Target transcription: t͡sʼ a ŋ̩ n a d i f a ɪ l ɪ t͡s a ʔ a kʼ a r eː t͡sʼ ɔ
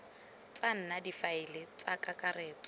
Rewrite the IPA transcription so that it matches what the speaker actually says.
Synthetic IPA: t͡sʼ a n̩ n a d i f a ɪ l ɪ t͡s a k a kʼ a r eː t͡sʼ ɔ

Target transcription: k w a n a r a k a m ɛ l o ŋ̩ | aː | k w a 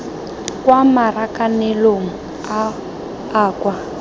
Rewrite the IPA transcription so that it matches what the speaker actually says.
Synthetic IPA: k w a m a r a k a n ɛ l o ŋ̩ | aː | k w a

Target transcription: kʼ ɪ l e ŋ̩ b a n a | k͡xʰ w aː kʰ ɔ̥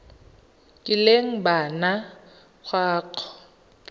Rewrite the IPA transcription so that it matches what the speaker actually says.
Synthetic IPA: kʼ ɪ l e ŋ̩ b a n a | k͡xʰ w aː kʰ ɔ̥

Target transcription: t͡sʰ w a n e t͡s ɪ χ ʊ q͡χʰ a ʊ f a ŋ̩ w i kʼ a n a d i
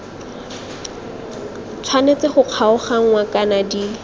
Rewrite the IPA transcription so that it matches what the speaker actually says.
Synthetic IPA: t͡sʰ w a n e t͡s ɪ χ ʊ q͡χʰ a ʊ χ a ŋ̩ w a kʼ a n a d i

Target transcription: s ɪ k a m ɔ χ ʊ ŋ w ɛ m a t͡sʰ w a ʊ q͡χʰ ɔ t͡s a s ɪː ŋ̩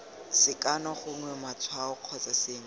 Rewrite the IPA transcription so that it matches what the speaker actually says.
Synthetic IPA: s ɪ k a n ɔ χ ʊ ŋ w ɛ m a t͡sʰ w a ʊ q͡χʰ ɔ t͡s a s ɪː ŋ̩

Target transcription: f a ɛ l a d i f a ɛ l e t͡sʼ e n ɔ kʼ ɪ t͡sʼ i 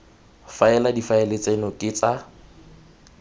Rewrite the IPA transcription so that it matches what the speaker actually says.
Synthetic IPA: f a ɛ l a d i f a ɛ l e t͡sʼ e n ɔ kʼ ɪ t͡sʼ a

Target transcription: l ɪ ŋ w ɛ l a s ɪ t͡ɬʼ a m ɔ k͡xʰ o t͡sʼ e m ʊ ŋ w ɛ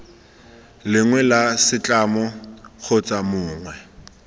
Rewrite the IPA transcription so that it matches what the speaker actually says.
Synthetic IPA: l ɪ ŋ w ɛ l a s ɪ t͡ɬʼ a m ɔ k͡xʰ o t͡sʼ a m ʊː ŋ w ɛ

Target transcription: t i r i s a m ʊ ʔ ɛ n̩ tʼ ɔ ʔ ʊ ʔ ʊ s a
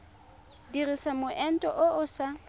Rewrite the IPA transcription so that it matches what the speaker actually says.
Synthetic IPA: d i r i s a m ʊ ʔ ɛ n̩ tʼ ɔ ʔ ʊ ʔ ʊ s a

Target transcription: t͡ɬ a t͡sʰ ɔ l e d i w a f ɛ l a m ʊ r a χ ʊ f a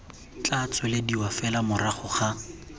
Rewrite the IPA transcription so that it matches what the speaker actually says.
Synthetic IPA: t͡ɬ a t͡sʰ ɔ l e d i w a f ɛ l a m ʊ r a χ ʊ χ a

